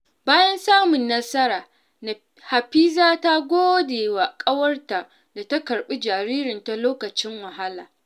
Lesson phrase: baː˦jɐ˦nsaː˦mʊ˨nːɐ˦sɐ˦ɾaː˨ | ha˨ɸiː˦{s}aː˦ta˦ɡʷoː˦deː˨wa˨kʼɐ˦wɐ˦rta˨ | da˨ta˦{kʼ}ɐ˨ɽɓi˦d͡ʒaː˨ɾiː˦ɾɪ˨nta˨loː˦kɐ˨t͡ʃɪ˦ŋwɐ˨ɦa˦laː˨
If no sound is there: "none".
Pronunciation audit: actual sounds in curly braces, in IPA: z, k

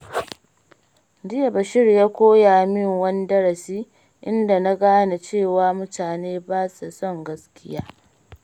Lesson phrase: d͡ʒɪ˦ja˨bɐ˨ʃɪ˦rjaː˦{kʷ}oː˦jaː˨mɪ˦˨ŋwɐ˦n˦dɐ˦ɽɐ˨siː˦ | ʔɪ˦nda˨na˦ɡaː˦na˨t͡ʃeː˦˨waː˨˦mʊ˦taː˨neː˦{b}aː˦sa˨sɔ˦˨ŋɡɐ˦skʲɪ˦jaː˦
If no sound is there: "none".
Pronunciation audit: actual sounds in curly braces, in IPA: kʷ, b

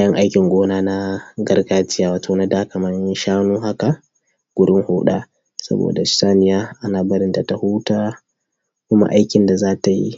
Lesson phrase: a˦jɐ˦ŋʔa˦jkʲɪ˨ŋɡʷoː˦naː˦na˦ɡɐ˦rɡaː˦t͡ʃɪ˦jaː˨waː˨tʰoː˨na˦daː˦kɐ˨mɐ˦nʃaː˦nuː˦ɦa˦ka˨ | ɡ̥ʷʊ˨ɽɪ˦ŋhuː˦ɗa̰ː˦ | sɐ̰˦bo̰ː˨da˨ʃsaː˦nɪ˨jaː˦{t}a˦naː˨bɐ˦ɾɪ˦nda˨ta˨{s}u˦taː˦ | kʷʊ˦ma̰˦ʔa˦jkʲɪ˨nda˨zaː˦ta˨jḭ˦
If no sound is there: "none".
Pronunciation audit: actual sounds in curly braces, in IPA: ʔ, h

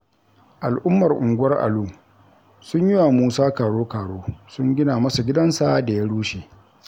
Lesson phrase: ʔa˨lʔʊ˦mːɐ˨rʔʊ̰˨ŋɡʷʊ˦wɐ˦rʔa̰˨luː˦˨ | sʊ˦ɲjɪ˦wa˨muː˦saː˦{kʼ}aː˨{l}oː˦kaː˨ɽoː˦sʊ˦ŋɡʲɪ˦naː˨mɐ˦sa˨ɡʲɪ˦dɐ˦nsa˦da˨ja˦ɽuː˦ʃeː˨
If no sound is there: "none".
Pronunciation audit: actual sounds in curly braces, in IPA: k, ɽ

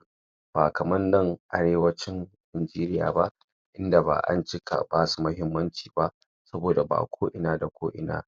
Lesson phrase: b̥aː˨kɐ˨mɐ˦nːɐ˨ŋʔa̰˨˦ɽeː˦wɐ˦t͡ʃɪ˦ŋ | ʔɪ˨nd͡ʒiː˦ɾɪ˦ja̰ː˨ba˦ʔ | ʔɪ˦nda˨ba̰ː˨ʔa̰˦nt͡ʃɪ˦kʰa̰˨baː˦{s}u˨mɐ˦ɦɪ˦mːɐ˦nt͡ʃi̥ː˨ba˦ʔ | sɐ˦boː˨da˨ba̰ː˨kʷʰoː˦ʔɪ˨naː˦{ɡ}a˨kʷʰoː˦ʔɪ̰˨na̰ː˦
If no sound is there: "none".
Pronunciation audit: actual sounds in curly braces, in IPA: s, d

